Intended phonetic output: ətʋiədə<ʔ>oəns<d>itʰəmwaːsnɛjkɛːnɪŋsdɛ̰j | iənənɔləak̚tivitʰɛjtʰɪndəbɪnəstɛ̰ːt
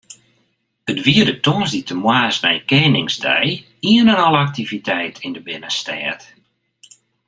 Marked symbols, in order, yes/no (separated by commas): no, yes